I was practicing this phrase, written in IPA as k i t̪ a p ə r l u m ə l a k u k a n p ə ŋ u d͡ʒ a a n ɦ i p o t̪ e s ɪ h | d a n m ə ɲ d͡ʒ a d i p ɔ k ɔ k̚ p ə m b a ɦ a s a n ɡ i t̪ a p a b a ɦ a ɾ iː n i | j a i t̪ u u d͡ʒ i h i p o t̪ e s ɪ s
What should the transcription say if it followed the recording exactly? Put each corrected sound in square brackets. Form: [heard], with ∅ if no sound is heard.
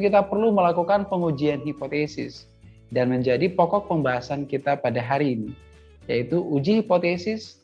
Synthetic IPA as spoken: k i t̪ a p ə r l u m ə l a k u k a n p ə ŋ u d͡ʒ [i] a n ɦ i p o t̪ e s ɪ [s] | d a n m ə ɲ d͡ʒ a d i p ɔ k ɔ k̚ p ə m b a ɦ a s a n [k] i t̪ a p a [d] a ɦ a ɾ iː n i | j a i t̪ u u d͡ʒ i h i p o t̪ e s ɪ s